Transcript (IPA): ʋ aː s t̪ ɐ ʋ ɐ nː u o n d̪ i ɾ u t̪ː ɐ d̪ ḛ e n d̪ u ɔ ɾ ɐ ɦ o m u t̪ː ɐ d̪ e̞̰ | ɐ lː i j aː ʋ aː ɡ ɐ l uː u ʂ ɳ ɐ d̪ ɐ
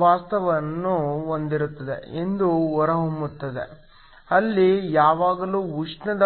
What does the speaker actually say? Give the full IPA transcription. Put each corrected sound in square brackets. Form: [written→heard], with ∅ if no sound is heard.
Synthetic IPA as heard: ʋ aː s t̪ ɐ ʋ ɐ nː u o n d̪ i ɾ u t̪ː ɐ d̪ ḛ e n d̪ u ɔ ɾ ɐ ɦ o m u t̪ː ɐ d̪ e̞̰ | ɐ lː i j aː ʋ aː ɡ ɐ l uː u ʂ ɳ ɐ d̪ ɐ